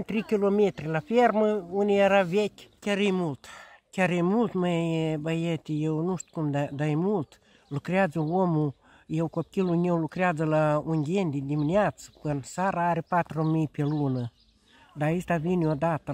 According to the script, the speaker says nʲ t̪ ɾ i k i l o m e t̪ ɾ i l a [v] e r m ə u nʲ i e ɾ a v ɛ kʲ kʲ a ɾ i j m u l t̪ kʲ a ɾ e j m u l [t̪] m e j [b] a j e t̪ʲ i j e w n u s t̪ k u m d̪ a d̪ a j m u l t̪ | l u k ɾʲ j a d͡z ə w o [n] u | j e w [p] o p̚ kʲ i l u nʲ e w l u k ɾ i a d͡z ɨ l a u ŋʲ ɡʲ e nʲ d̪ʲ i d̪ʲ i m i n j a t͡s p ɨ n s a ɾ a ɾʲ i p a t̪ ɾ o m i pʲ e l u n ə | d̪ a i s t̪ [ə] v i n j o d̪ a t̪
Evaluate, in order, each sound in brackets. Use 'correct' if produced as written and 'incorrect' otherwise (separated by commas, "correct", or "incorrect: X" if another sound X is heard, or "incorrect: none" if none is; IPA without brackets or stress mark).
incorrect: f, correct, correct, incorrect: m, incorrect: k, incorrect: a